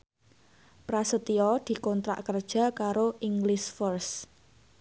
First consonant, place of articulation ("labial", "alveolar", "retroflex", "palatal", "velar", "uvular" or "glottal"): labial